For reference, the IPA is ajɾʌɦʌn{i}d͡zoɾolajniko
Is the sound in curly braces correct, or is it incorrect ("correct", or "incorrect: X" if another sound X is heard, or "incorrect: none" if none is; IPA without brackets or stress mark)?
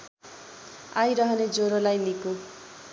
incorrect: e